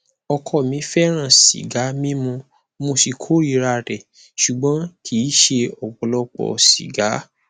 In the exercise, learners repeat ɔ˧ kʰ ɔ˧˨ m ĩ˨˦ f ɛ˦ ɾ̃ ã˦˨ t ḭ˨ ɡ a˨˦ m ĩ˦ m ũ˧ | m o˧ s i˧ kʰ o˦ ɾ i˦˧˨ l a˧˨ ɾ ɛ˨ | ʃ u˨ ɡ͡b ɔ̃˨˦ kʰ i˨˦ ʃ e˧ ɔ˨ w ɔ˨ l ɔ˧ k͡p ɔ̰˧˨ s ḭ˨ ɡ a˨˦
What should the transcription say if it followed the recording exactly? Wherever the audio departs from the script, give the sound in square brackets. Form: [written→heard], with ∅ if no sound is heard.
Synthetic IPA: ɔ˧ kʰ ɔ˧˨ m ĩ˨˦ f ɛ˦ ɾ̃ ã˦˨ [t→s] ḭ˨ ɡ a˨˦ m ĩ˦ m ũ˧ | m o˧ s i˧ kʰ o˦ ɾ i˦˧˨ [l→ɾ] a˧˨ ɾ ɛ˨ | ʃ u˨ ɡ͡b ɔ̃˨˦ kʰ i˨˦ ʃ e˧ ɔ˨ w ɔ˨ l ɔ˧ k͡p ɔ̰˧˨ s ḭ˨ ɡ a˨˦